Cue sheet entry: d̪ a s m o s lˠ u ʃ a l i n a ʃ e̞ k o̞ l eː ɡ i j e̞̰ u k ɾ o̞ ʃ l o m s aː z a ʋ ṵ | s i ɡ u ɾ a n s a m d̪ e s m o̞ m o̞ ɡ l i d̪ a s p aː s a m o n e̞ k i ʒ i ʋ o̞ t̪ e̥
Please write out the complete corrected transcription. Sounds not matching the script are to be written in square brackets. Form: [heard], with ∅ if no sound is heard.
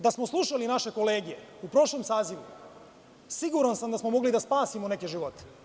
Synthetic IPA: d̪ a s m o s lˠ u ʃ a l i n a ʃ e̞ k o̞ l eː ɡ i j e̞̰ u [p] ɾ o̞ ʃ l o m s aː z [i] ʋ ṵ | s i ɡ u ɾ a n s a m d̪ [a] s m o̞ m o̞ ɡ l i d̪ a s p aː s [i] m o n e̞ k [e] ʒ i ʋ o̞ t̪ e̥